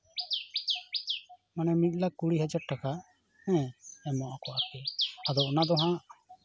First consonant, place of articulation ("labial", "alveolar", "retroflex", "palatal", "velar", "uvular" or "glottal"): labial